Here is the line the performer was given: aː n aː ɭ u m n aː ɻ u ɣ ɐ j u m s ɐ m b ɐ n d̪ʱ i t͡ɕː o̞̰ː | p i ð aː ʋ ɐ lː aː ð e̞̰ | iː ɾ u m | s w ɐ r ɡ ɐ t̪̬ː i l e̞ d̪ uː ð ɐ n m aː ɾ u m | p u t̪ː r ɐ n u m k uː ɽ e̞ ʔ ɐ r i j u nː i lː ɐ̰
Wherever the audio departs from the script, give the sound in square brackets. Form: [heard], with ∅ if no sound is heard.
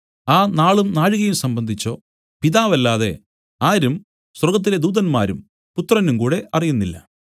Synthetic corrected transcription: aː n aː ɭ u m n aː ɻ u ɣ ɐ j u m s ɐ m b ɐ n d̪ʱ i t͡ɕː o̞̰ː | p i ð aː ʋ ɐ lː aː ð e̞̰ | [aː] ɾ u m | s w ɐ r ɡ ɐ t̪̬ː i l e̞ d̪ uː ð ɐ n m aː ɾ u m | p u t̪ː r ɐ n u m k uː ɽ e̞ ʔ ɐ r i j u nː i lː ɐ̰